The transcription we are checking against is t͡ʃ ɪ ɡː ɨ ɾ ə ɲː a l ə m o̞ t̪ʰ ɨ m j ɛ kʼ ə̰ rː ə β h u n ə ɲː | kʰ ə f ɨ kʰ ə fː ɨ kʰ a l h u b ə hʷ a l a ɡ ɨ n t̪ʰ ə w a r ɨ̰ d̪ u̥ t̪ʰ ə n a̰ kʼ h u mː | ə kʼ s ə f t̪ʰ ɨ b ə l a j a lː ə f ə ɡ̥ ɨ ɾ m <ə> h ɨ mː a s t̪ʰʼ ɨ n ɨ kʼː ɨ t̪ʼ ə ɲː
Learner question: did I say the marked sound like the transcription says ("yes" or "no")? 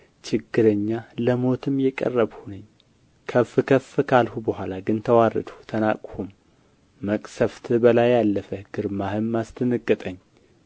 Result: no